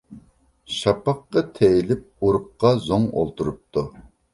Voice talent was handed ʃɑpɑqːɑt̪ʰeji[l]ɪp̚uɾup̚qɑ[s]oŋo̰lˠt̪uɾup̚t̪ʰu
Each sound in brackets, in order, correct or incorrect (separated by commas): correct, incorrect